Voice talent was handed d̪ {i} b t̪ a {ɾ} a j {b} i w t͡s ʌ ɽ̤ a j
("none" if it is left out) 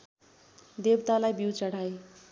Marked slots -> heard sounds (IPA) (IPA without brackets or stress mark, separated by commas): e, l, b